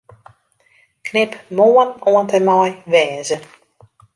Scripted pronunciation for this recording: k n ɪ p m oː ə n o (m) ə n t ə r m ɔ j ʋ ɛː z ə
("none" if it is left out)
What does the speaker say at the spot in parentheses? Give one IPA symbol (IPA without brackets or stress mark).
none